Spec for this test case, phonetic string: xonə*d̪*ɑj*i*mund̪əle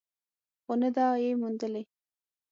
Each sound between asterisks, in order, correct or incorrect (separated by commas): correct, incorrect